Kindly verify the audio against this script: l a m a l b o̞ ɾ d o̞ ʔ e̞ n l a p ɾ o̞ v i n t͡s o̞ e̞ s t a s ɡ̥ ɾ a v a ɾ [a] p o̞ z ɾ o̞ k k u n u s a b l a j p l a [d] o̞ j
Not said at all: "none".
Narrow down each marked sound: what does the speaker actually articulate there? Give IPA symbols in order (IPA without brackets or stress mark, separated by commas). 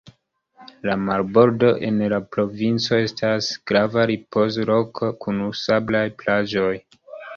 i, d͡ʒ